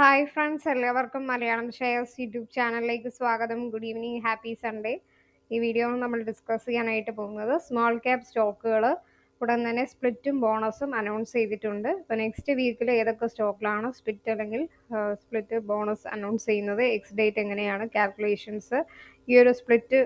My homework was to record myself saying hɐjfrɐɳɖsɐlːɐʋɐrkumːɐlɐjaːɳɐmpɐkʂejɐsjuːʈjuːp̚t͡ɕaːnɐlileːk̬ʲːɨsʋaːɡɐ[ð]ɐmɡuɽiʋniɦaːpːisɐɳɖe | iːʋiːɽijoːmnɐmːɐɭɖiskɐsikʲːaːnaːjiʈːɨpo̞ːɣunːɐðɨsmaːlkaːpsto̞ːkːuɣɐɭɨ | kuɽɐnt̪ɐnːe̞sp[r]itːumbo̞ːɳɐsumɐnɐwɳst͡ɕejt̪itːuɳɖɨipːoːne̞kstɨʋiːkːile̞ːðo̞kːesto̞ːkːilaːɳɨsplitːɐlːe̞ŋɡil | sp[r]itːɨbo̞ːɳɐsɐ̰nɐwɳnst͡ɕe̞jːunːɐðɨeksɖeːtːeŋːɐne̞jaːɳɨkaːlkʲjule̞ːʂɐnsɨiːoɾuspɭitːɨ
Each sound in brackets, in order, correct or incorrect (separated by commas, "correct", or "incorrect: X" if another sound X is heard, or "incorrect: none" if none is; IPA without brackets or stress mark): correct, incorrect: ɭ, incorrect: ɭ